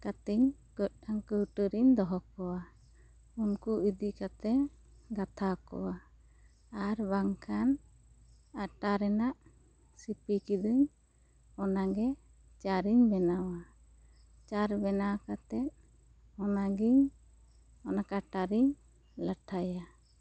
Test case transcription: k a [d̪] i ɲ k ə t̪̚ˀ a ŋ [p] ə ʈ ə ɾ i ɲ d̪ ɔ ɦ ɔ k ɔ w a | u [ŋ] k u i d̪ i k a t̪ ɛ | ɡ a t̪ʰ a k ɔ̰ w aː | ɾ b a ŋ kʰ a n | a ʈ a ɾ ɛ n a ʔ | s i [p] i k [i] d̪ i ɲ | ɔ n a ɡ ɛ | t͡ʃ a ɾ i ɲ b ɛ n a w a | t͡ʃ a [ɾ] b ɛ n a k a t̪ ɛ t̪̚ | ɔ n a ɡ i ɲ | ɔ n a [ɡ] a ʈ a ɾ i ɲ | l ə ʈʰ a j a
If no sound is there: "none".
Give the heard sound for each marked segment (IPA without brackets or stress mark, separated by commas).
t̪, k, n, p, i, ɾ, k